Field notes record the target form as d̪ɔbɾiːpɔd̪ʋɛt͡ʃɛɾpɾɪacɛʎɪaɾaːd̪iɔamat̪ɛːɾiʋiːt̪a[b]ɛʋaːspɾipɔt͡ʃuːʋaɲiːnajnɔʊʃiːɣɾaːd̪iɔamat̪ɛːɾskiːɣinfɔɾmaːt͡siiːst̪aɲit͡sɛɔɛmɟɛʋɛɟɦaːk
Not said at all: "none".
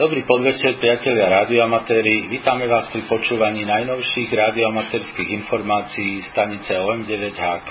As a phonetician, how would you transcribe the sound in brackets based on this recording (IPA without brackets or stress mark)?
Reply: m